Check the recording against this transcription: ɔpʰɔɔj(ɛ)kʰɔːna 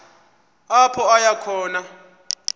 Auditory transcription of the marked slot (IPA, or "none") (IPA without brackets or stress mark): a